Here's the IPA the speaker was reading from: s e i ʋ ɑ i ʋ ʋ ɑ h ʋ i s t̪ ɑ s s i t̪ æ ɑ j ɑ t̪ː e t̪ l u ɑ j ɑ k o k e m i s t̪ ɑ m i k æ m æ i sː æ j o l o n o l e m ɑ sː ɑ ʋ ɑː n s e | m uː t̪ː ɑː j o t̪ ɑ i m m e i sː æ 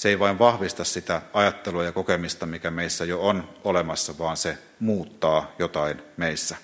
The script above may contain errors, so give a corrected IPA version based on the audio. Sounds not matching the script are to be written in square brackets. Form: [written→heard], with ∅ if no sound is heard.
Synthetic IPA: s e i ʋ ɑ i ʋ ʋ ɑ h ʋ i s t̪ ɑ s s i t̪ æ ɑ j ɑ t̪ː e [t̪→∅] l u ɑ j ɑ k o k e m i s t̪ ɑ m i k æ m [æ→e] i sː æ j o [l→∅] o n o l e m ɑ sː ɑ ʋ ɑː n s e | m uː t̪ː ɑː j o t̪ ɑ i [m→n] m e i sː æ